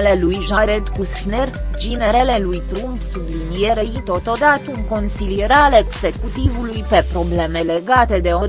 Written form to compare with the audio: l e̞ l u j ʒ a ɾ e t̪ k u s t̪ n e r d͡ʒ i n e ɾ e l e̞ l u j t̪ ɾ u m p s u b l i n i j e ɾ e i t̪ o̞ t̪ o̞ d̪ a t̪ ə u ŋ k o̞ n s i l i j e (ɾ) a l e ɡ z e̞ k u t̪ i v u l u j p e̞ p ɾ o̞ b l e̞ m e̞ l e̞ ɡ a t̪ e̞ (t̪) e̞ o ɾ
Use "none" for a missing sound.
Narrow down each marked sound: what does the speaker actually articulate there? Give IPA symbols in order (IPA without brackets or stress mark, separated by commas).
ɾ, d̪